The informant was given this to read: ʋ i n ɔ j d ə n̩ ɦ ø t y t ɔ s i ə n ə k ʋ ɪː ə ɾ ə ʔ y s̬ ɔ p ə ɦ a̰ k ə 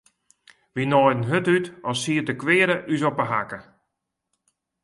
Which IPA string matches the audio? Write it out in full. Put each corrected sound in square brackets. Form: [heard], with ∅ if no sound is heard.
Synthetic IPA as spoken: ʋ i n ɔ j d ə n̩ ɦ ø t y t ɔ s i ə [d] ə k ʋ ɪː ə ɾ ə ʔ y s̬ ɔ p ə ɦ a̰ k ə